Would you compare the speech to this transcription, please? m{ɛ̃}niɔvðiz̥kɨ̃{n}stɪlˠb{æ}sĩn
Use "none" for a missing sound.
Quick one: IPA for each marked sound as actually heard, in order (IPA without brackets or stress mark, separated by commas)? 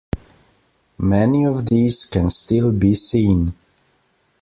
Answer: ɛ, n, i